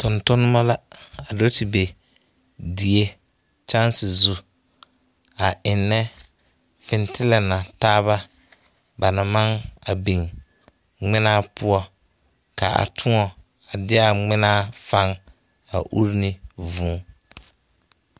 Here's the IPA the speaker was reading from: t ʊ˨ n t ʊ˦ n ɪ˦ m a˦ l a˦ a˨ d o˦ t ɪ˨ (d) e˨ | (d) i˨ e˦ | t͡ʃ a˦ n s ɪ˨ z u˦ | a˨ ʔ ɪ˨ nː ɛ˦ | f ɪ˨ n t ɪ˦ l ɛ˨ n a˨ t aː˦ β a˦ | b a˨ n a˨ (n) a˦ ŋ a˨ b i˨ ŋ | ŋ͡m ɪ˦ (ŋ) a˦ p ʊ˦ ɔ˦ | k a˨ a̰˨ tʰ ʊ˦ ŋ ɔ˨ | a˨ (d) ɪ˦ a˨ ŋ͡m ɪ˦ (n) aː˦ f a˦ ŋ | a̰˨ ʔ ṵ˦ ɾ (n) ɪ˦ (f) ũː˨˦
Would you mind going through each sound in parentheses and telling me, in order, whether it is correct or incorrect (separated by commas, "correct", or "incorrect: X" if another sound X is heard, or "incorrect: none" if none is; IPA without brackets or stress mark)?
incorrect: b, correct, incorrect: m, incorrect: n, correct, correct, correct, incorrect: v